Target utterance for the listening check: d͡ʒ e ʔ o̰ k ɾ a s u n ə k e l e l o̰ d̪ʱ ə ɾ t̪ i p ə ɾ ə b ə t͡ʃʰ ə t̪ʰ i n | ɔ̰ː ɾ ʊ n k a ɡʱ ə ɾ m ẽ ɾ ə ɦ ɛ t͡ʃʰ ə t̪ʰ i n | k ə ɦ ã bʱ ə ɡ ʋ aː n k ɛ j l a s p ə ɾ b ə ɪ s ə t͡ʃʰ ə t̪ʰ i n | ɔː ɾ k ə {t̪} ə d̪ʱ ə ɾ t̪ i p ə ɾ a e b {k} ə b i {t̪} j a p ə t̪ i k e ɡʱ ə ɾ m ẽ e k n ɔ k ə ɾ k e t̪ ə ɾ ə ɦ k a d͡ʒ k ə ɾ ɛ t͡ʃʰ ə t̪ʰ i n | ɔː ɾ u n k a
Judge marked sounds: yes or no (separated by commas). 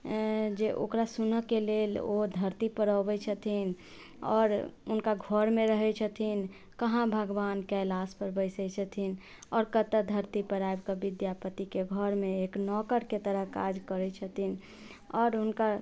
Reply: yes, yes, no